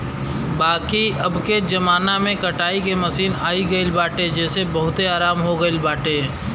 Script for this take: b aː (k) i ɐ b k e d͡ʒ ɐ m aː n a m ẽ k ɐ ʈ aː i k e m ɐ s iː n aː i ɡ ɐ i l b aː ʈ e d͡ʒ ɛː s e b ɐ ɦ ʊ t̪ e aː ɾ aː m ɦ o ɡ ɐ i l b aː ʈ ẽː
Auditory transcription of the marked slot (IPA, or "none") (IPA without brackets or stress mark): k